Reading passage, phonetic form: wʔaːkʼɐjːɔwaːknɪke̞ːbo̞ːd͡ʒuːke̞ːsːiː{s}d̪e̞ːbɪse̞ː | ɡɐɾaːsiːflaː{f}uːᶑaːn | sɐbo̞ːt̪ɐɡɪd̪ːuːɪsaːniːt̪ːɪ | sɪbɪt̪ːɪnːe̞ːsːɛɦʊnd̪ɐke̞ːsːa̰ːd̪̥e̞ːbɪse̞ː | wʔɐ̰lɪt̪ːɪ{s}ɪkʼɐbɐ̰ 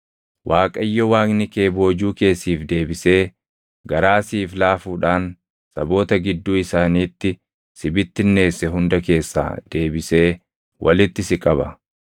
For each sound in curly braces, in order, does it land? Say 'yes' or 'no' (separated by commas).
no, yes, yes